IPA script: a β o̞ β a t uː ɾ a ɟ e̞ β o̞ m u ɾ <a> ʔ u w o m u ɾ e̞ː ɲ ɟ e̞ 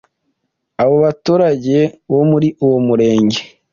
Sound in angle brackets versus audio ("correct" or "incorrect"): incorrect